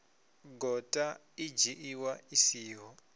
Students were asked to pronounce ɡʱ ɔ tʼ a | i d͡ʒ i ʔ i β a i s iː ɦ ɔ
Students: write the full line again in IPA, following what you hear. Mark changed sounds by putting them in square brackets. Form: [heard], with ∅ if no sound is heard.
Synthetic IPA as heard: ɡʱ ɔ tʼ a | i d͡ʒ i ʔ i [w] a i s iː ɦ ɔ